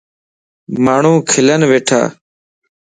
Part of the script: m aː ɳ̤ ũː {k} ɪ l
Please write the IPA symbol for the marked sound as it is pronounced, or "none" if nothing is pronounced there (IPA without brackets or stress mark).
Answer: kʰ